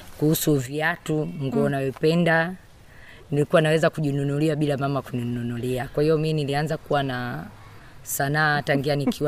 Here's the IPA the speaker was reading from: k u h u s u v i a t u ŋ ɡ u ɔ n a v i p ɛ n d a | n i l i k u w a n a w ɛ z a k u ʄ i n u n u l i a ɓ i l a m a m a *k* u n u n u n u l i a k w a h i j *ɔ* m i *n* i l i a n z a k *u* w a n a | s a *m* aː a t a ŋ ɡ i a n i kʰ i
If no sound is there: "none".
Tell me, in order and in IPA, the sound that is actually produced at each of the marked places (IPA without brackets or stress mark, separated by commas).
k, ɔ, n, u, n